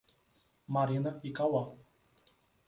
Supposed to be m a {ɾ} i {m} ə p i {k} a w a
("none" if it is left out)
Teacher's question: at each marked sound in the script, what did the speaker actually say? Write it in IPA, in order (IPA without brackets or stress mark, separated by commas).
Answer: ɾ, n, k